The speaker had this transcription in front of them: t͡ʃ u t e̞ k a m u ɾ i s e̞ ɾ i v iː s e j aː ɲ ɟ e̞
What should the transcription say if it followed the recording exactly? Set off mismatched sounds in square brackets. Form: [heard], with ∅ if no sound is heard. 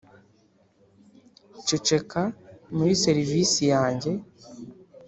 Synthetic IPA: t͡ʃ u [t͡ʃ] e̞ k a m u ɾ i s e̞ ɾ i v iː s [i] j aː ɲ ɟ e̞